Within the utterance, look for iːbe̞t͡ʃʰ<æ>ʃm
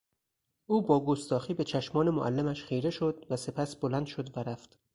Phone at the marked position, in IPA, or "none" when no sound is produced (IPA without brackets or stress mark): æ